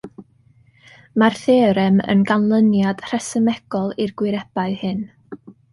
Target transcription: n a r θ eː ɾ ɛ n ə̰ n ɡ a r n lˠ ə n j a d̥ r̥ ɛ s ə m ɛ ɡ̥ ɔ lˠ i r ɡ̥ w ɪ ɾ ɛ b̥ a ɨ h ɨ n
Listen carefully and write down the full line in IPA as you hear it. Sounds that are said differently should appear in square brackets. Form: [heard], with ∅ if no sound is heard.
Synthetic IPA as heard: [m] a r θ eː ɾ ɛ [m] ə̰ n ɡ a [∅] n lˠ ə n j a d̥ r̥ ɛ s ə m ɛ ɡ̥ ɔ lˠ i r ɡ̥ w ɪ ɾ ɛ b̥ a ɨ h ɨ n